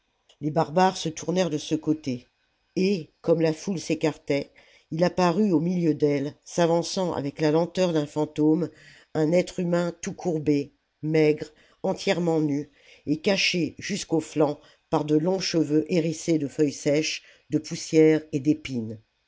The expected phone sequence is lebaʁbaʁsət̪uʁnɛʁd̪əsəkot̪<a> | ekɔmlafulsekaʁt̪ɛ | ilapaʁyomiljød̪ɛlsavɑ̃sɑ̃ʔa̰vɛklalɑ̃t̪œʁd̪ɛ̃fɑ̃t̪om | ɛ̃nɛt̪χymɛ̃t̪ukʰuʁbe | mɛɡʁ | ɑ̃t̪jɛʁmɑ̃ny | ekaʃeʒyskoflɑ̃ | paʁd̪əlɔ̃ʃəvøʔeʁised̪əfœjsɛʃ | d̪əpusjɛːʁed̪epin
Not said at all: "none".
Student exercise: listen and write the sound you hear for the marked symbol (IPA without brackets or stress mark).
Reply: e